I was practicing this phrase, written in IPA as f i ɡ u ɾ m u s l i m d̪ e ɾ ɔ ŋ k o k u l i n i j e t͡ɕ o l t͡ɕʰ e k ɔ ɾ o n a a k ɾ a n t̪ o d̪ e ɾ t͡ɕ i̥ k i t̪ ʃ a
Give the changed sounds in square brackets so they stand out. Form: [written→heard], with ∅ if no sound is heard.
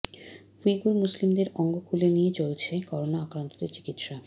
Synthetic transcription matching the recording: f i ɡ u ɾ m u s l i m d̪ e ɾ ɔ ŋ [k→ɡ] o k u l [i→e] n i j e t͡ɕ o l t͡ɕʰ e k ɔ ɾ o n a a k ɾ a n t̪ o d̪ e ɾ t͡ɕ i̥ k i t̪ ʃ a